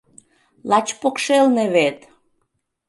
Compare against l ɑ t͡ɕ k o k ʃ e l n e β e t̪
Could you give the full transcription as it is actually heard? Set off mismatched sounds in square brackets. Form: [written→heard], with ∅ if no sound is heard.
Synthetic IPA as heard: l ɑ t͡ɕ [k→p] o k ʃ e l n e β e t̪